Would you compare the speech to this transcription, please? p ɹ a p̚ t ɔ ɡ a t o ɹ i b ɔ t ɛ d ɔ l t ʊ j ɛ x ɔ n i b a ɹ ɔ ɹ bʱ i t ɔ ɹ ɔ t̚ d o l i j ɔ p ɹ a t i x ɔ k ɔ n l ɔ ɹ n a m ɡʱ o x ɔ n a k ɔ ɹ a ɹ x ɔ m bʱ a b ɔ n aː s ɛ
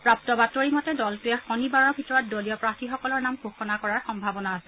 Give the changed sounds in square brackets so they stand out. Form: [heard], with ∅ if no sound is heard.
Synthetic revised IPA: p ɹ a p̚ t ɔ [b] a t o ɹ i [m] ɔ t ɛ d ɔ l t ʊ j ɛ x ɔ n i b a ɹ ɔ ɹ bʱ i t ɔ ɹ ɔ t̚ d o l i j ɔ p ɹ a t i x ɔ k ɔ [∅] l ɔ ɹ n a m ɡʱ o x ɔ n a k ɔ ɹ a ɹ x ɔ m bʱ a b ɔ n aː s ɛ